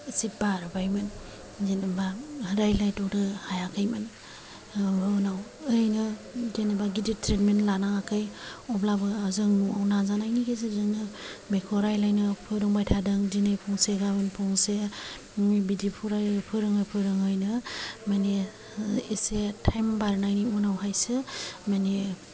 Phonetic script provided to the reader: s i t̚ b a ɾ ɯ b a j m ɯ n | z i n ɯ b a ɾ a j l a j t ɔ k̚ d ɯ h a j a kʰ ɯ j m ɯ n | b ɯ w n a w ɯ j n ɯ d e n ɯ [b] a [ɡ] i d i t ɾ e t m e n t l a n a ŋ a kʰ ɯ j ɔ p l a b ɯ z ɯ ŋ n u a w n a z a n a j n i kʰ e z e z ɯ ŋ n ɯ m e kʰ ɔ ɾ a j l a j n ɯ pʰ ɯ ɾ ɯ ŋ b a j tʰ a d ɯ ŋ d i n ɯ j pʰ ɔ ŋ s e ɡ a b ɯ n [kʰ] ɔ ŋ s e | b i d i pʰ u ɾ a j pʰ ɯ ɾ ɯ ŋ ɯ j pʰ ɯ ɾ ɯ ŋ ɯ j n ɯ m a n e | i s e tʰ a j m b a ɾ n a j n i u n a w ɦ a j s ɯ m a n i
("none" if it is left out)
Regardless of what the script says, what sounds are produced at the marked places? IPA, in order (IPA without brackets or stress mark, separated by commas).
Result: b, ɡ, pʰ